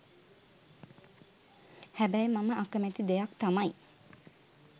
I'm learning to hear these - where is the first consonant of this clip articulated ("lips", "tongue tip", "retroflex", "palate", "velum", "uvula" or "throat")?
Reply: throat